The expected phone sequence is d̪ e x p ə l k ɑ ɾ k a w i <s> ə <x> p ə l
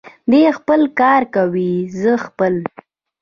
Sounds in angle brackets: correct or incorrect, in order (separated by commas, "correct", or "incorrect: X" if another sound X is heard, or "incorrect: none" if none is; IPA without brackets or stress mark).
incorrect: z, correct